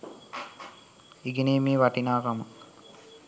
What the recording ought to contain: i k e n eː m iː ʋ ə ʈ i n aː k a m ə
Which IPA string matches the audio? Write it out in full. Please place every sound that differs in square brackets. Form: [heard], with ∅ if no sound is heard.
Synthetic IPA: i [ɡ] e n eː m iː ʋ [a] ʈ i n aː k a m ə